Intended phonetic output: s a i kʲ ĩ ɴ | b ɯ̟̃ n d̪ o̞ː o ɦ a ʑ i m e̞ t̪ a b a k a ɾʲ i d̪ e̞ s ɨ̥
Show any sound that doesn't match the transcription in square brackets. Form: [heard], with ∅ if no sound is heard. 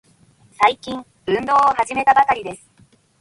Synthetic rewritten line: s a i kʲ ĩ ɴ | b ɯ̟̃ n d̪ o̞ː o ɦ a ʑ i m e̞ t̪ a b a k a ɾʲ i d̪ e̞ s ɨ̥